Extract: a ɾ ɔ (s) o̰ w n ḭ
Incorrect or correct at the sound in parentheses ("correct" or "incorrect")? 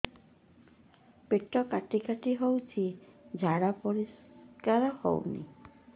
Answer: incorrect